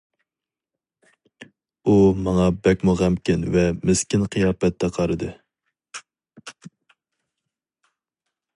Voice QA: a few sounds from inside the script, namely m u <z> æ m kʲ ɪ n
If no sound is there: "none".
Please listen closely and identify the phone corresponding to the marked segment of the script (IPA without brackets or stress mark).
ʁ